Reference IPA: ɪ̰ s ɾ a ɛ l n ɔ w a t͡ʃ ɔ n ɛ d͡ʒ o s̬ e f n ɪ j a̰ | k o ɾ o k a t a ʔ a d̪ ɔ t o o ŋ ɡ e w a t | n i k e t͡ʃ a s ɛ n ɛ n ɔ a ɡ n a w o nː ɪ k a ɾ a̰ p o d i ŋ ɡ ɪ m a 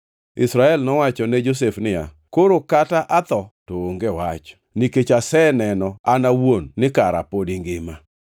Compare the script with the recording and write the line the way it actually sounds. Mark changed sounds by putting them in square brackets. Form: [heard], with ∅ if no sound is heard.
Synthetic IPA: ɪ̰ s ɾ a ɛ l n ɔ w a t͡ʃ ɔ n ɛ d͡ʒ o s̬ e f n ɪ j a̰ | k o ɾ o k a t a ʔ a [t̪] ɔ t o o ŋ ɡ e w a [t͡ʃ] | n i k e t͡ʃ a s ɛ n ɛ n ɔ a [∅] n a w o nː ɪ k a ɾ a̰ p o d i ŋ ɡ ɪ m a